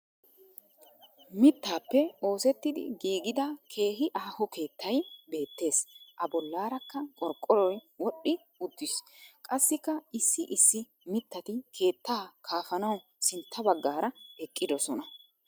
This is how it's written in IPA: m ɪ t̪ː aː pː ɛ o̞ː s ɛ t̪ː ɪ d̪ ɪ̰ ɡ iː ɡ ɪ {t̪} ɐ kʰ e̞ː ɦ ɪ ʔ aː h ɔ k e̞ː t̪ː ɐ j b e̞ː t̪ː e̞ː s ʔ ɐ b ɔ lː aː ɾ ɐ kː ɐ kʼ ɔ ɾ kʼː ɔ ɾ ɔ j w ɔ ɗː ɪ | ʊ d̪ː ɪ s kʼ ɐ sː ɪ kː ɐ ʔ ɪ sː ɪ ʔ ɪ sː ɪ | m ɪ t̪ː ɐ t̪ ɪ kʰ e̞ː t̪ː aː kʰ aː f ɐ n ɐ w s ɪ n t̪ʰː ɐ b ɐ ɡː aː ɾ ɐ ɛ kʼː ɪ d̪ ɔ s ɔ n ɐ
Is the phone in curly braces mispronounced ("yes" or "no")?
yes